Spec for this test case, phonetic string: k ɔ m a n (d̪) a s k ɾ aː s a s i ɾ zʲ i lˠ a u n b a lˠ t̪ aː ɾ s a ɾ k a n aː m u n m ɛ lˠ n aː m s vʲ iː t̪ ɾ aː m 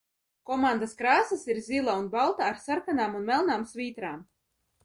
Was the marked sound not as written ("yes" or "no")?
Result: no